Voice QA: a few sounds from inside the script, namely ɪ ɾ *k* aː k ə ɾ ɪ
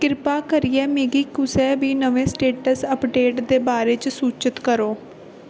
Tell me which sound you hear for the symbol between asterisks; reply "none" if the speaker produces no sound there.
p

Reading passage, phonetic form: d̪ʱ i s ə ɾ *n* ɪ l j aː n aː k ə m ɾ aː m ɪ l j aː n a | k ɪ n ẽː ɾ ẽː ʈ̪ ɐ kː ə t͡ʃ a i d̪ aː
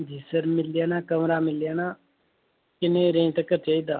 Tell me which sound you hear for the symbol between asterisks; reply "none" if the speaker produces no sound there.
m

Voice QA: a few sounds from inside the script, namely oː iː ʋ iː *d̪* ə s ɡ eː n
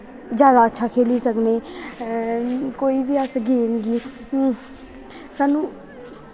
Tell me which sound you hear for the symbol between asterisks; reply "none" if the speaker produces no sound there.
none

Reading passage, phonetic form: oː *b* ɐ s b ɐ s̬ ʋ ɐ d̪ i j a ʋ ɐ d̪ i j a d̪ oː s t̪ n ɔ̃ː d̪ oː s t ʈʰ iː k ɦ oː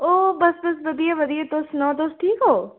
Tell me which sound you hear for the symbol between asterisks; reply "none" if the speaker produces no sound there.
b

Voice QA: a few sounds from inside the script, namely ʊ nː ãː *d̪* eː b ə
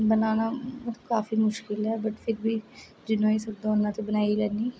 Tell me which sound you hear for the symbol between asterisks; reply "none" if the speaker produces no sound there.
t̪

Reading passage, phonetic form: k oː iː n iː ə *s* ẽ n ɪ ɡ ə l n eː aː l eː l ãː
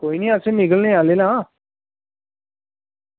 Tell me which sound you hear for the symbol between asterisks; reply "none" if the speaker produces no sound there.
s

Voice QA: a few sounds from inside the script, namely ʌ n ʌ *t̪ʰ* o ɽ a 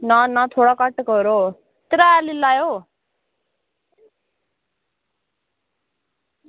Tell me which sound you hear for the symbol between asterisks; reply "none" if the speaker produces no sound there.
t̪ʰ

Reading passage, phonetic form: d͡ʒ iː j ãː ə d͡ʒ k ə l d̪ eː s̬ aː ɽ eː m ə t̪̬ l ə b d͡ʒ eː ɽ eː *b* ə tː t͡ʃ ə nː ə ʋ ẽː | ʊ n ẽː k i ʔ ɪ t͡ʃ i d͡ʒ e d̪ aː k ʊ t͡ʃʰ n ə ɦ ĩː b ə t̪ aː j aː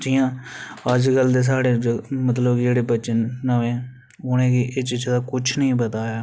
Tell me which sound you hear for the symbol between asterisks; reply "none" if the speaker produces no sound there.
b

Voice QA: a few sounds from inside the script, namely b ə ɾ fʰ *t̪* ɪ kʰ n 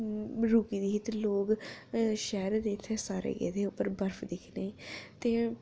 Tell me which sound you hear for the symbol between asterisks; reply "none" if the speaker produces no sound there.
d̪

